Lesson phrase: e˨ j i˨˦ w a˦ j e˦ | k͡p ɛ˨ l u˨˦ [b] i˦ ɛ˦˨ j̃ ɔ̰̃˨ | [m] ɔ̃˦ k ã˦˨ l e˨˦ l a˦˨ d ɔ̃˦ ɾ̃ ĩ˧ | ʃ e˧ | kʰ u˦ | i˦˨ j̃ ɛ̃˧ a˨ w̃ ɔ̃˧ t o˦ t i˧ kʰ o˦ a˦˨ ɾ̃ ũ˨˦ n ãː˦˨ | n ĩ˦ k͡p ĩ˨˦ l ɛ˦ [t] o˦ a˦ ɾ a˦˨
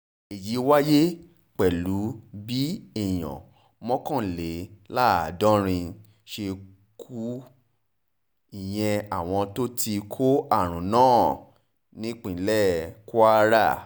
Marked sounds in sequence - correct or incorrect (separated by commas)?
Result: correct, correct, incorrect